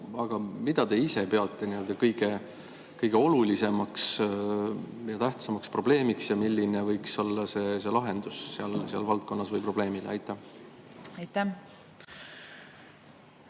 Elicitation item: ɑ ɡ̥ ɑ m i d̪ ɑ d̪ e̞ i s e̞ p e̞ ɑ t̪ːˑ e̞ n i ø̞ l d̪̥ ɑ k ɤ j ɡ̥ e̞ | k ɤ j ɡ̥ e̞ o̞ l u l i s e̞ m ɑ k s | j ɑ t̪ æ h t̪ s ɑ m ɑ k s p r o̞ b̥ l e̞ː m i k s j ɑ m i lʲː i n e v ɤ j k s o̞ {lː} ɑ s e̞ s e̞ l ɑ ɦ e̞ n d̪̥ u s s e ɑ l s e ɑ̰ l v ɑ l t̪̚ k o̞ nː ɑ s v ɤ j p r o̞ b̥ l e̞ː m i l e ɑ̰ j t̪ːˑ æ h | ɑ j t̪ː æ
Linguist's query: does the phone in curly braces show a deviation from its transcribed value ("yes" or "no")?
no